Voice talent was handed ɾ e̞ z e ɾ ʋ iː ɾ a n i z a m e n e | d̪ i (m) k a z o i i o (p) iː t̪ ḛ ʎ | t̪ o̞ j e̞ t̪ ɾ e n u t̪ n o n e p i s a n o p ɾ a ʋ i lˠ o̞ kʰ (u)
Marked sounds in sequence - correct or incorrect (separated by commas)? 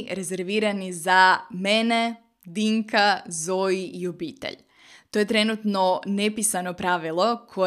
incorrect, incorrect, incorrect